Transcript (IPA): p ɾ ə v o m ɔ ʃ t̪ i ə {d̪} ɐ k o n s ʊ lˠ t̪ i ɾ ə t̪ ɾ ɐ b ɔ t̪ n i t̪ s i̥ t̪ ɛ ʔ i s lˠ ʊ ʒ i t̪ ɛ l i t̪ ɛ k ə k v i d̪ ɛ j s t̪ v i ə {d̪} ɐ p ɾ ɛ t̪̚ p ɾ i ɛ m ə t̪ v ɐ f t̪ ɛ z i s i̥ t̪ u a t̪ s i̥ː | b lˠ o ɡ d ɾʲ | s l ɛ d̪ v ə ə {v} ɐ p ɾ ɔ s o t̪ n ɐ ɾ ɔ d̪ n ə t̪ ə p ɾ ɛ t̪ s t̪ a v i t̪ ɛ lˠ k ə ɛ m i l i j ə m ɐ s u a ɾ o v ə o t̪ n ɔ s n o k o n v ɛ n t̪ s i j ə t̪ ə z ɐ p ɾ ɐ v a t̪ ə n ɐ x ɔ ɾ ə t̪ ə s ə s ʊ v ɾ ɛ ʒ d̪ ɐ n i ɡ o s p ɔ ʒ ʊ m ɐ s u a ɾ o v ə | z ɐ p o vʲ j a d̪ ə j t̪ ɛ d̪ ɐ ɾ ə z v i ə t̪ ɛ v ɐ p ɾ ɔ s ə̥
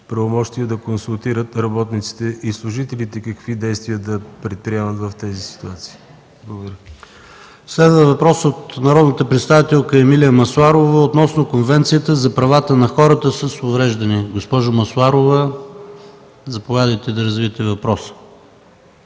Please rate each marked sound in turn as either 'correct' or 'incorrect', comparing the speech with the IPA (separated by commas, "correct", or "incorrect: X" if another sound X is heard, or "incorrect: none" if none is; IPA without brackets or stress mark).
correct, correct, correct